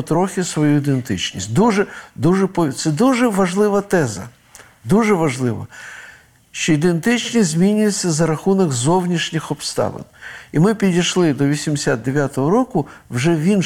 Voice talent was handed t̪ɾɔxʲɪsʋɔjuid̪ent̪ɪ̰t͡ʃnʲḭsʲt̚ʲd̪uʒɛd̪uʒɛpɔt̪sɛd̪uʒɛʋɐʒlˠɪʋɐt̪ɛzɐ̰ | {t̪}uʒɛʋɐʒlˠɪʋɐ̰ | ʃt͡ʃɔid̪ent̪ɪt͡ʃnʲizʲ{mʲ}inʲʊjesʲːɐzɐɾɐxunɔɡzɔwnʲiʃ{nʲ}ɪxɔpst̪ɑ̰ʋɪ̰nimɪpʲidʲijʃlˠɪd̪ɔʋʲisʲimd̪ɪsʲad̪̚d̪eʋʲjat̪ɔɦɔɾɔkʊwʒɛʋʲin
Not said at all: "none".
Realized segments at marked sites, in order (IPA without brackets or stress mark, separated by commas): d̪, mʲ, nʲ